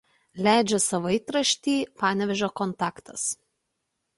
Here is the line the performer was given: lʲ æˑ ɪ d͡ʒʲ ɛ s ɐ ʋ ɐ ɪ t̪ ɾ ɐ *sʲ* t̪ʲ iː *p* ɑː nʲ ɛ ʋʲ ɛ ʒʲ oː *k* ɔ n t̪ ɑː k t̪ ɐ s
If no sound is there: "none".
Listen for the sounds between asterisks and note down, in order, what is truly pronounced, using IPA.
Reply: ʃʲ, p, k

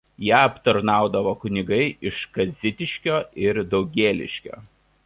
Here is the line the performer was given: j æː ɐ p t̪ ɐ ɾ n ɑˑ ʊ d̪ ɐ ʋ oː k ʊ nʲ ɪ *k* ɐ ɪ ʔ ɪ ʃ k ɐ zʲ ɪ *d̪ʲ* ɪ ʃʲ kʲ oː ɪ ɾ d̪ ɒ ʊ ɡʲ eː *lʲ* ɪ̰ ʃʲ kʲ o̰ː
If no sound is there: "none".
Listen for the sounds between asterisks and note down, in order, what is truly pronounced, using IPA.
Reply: ɡ, t̪ʲ, lʲ

